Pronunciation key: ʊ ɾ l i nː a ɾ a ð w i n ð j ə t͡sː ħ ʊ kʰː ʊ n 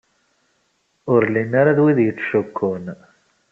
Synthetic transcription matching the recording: ʊ ɾ l i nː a ɾ a ð w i ð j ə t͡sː ʃ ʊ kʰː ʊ n